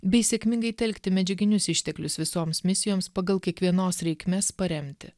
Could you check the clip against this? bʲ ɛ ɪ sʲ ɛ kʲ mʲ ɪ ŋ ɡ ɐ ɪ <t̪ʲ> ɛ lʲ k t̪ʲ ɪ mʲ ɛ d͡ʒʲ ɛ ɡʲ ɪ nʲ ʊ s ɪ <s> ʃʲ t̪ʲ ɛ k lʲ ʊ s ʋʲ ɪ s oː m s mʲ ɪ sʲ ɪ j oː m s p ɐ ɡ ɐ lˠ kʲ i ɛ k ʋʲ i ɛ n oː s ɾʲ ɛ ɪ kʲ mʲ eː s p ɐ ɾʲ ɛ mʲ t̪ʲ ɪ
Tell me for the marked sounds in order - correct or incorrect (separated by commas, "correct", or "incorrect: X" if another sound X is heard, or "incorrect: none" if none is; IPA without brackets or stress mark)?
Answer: correct, incorrect: none